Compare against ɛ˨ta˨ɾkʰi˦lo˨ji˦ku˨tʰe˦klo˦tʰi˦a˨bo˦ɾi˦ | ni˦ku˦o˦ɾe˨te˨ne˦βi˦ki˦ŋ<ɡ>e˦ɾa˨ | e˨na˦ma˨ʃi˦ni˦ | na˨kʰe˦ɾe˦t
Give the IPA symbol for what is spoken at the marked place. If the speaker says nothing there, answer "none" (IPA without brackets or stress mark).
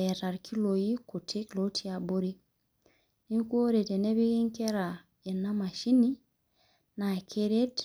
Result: k